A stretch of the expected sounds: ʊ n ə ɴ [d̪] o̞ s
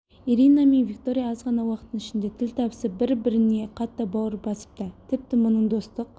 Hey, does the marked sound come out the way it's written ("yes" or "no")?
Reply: yes